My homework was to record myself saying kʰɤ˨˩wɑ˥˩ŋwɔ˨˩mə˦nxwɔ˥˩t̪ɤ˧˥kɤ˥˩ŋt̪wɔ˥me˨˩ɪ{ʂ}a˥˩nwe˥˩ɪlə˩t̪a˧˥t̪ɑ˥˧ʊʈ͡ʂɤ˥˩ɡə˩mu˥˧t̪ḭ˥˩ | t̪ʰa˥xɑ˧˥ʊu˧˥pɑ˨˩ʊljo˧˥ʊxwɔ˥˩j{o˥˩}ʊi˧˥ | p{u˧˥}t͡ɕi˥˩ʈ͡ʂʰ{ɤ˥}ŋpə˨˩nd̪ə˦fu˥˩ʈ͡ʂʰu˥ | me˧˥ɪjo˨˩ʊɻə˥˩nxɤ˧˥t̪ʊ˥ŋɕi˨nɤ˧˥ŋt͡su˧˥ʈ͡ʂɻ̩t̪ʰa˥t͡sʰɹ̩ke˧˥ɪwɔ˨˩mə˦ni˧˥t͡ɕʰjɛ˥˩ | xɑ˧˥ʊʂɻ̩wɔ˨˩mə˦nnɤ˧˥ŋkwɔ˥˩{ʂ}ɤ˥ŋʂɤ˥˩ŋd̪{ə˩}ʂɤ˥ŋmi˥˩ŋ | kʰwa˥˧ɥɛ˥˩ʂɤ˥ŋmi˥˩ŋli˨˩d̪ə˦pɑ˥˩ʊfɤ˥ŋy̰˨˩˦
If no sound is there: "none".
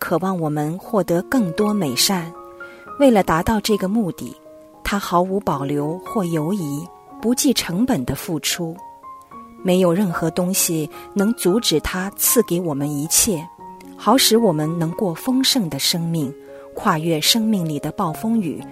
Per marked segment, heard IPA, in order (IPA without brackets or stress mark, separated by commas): ʂ, o˧˥, u˧˥, ɤ˧˥, f, ə˩